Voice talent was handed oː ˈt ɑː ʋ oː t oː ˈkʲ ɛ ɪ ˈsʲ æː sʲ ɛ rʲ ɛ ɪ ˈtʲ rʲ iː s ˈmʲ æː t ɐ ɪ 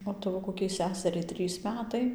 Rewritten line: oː ˈt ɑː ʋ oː k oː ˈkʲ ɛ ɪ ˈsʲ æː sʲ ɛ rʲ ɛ ɪ ˈtʲ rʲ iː s ˈmʲ æː t ɐ ɪ